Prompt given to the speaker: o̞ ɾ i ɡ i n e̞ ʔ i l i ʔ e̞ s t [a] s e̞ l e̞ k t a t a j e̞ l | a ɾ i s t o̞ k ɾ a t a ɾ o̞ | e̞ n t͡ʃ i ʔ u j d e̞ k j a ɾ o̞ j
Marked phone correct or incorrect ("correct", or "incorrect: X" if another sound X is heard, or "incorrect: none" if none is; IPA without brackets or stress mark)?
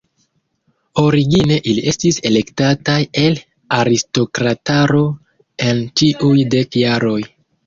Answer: incorrect: i